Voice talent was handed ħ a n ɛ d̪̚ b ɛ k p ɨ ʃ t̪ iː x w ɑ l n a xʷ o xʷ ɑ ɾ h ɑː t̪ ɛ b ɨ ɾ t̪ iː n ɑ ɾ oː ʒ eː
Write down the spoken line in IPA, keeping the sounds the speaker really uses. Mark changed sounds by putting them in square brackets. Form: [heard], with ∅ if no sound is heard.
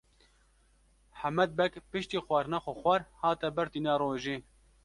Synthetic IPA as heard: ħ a [m] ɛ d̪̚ b ɛ k p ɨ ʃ t̪ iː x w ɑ [ɾ] n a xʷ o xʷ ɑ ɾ h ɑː t̪ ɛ b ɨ ɾ t̪ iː n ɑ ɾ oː ʒ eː